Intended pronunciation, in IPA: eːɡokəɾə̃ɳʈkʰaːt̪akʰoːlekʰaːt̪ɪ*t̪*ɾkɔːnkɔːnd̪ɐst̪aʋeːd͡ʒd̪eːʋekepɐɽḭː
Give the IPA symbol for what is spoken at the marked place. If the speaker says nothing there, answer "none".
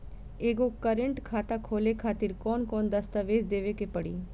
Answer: none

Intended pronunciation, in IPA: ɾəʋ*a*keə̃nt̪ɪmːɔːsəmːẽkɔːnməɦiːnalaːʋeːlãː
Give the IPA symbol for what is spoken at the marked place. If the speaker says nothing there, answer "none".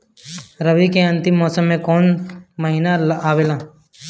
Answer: i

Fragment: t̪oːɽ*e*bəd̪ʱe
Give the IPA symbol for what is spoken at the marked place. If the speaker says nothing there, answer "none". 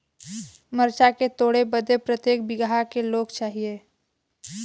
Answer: e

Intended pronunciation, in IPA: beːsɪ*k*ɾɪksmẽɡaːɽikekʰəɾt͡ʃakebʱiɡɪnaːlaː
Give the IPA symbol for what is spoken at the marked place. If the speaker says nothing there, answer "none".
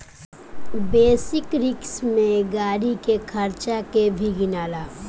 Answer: k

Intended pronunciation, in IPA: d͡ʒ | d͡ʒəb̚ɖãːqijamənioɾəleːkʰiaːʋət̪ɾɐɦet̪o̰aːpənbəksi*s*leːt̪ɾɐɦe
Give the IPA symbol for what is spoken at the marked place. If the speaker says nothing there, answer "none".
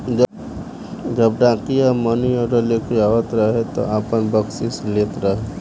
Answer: s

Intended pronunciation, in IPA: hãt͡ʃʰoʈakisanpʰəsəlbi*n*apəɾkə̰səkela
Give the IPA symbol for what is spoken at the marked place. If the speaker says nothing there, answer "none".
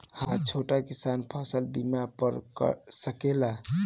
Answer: m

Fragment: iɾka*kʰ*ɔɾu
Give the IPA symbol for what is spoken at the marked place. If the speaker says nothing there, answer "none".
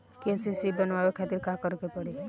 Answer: k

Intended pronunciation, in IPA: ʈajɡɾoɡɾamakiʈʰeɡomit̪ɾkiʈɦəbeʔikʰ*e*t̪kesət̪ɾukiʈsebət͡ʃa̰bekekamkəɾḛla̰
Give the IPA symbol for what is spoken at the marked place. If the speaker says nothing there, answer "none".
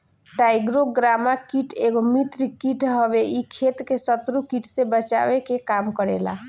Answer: e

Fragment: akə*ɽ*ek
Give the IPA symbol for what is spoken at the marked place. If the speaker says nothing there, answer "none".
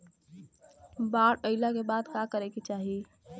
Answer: ɾ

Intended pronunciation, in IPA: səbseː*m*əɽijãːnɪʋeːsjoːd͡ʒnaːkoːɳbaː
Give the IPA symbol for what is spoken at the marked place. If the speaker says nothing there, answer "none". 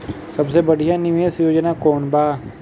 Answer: b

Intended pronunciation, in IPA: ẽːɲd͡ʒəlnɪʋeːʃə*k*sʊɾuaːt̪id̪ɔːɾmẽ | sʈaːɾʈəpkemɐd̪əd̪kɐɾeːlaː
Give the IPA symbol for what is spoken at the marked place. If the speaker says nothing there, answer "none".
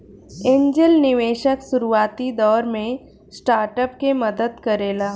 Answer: k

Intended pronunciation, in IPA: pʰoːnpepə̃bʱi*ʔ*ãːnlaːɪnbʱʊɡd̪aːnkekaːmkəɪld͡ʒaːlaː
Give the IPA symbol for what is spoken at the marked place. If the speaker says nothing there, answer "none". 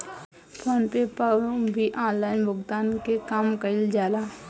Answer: ʔ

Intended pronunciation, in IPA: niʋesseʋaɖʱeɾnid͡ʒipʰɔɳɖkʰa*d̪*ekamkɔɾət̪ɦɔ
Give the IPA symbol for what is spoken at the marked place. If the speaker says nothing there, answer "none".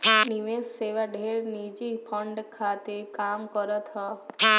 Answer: t̪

